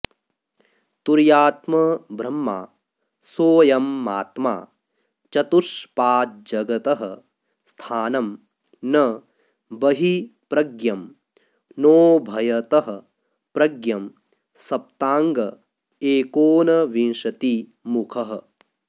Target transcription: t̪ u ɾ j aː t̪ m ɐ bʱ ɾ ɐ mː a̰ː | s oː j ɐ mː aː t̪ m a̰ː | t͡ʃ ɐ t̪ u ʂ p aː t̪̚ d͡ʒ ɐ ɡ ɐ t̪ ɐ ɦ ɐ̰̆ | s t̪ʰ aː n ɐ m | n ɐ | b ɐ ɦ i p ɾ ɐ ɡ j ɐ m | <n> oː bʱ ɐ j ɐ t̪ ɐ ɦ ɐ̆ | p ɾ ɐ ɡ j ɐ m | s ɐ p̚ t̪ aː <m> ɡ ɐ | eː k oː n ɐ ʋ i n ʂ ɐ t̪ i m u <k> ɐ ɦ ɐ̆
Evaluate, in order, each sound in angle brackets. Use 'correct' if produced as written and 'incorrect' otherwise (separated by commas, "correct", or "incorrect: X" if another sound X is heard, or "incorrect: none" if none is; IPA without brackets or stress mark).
correct, incorrect: ŋ, incorrect: kʰ